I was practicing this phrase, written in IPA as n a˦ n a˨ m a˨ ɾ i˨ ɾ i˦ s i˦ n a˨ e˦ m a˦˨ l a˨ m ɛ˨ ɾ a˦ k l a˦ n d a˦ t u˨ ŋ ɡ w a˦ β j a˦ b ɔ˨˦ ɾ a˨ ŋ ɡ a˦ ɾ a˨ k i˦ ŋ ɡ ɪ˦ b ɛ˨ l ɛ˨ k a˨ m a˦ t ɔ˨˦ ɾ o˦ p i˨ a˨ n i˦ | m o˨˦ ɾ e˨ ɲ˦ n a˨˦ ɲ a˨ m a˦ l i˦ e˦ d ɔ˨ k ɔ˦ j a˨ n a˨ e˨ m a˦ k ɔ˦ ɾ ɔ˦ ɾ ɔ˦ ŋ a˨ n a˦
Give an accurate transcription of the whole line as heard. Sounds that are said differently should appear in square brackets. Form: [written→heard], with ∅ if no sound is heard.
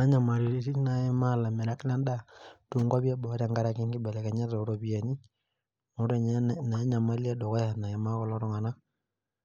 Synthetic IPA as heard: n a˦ [n→ɲ] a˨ m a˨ ɾ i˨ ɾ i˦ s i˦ n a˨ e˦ m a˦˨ l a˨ m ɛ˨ ɾ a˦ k l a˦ n d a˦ t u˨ ŋ ɡ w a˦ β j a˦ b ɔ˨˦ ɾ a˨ ŋ ɡ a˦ ɾ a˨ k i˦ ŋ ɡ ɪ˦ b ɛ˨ l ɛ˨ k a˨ [m→ɲ] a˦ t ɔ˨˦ ɾ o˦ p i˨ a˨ n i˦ | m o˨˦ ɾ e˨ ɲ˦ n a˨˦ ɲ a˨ m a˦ l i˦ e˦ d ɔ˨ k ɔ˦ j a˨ n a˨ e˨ m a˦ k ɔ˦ [ɾ→l] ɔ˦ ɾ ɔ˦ ŋ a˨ n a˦